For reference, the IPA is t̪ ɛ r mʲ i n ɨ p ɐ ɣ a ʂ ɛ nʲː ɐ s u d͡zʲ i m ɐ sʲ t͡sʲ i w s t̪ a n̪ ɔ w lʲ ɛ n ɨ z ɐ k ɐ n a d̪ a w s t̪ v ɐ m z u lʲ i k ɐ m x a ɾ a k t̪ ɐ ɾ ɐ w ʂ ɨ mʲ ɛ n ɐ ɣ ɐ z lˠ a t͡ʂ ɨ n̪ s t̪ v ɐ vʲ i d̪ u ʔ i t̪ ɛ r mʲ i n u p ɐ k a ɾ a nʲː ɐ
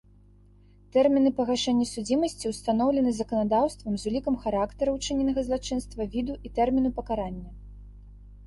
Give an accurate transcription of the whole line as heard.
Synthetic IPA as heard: t̪ ɛ r mʲ i n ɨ p ɐ ɣ a ʂ ɛ nʲː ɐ s u d͡zʲ i m ɐ sʲ t͡sʲ i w s t̪ a n̪ ɔ w lʲ ɛ n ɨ z ɐ k ɐ n a d̪ a w s t̪ v ɐ m z u lʲ i k ɐ m x a ɾ a k t̪ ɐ ɾ ɐ w t͡ʂ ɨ nʲ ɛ n ɐ ɣ ɐ z lˠ a t͡ʂ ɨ n̪ s t̪ v ɐ vʲ i d̪ u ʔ i t̪ ɛ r mʲ i n u p ɐ k a ɾ a nʲː ɐ